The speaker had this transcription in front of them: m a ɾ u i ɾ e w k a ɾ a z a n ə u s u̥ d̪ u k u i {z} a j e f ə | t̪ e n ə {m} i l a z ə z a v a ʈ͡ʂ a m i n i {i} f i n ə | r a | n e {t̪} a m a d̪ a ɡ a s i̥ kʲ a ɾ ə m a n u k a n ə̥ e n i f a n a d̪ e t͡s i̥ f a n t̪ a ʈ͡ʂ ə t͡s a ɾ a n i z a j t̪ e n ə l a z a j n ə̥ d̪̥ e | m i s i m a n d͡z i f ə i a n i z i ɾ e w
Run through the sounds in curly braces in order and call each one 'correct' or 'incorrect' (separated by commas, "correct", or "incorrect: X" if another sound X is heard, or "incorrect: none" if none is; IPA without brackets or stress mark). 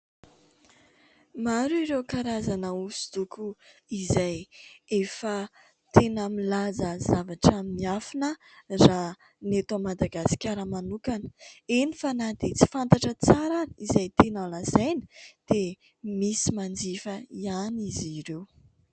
correct, correct, incorrect: a, correct